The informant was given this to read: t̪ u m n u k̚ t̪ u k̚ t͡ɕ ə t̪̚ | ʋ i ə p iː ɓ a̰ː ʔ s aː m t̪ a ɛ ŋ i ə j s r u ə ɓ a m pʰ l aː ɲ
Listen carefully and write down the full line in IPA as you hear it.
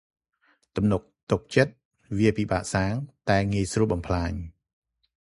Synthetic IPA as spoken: t̪ u m n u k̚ t̪ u k̚ t͡ɕ ə t̪̚ | ʋ i ə p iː ɓ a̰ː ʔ s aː ŋ t̪ a ɛ ŋ i ə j s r u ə ɓ ɑ m pʰ l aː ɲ